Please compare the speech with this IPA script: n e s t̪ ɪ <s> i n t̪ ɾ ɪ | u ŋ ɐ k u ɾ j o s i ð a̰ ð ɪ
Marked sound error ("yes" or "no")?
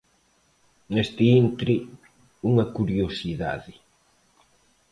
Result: yes